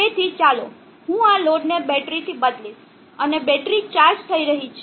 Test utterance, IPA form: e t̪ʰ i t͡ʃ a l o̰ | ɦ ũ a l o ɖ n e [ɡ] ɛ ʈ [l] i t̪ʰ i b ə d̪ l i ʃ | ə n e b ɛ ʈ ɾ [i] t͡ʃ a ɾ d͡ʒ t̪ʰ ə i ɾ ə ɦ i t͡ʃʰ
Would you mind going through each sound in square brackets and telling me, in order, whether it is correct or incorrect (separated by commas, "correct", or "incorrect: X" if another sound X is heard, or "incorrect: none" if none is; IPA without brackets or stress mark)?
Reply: incorrect: b, incorrect: ɾ, correct